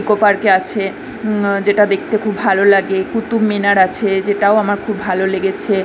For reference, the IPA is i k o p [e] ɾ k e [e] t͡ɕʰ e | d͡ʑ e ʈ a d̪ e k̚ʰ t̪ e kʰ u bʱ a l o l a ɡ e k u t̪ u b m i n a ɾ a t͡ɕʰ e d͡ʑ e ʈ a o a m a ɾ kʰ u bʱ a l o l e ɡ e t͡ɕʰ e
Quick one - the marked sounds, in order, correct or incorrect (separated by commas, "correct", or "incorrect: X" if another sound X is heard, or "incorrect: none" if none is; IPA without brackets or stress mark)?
incorrect: a, incorrect: a